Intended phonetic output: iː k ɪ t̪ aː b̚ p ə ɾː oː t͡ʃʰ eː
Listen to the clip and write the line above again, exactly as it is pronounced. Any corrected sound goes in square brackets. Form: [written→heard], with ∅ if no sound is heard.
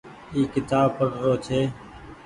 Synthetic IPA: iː k ɪ t̪ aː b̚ p ə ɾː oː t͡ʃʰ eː